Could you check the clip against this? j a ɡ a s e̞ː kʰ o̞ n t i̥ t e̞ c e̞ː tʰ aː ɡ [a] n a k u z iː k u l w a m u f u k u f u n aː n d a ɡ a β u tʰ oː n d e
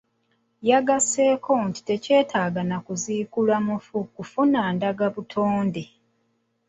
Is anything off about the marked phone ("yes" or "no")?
no